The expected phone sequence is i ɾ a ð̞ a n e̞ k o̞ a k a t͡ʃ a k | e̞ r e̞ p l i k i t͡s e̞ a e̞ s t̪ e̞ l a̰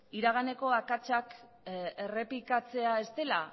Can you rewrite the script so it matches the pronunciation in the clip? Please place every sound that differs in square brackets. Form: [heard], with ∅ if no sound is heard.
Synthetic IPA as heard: i ɾ a [ɣ̞] a n e̞ k o̞ a k a t͡ʃ a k | e̞ r e̞ p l i k [a] t͡s e̞ a e̞ s t̪ e̞ l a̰